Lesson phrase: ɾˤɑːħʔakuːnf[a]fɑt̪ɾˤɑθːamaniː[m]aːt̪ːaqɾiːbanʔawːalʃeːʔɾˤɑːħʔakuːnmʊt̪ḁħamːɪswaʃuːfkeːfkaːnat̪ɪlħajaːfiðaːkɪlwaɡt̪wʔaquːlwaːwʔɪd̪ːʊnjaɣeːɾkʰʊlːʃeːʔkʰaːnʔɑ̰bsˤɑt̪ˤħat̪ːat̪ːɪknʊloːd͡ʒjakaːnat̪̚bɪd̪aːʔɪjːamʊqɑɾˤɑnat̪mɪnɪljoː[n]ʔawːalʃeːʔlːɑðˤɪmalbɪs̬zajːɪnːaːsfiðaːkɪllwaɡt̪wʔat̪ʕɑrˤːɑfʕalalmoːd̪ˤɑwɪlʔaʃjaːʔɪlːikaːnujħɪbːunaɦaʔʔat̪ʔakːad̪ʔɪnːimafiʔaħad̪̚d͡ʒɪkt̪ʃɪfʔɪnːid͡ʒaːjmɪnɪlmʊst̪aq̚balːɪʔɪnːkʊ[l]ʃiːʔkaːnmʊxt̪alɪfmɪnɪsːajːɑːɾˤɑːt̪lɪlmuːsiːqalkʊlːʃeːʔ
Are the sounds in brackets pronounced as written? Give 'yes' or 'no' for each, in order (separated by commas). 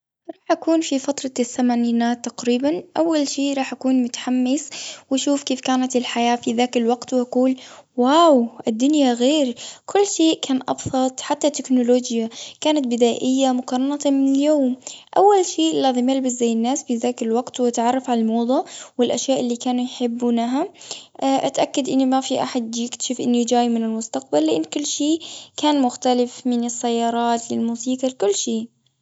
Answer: no, no, no, no